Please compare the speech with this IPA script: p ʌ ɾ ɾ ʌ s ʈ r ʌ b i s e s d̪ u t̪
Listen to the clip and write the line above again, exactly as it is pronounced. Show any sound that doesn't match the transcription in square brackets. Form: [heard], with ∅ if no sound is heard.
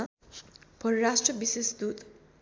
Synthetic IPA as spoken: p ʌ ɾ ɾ [a] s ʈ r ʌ b i s e s d̪ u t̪